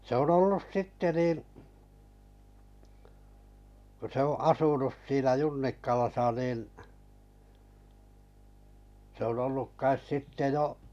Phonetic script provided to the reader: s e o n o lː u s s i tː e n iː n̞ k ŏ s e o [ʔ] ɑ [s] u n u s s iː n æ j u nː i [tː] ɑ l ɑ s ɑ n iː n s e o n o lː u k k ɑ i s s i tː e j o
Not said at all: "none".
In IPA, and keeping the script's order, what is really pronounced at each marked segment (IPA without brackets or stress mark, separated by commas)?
ʔ, s, kː